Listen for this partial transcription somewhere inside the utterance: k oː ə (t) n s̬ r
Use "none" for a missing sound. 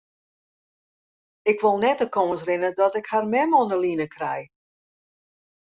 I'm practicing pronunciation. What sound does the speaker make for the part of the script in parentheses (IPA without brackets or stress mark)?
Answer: none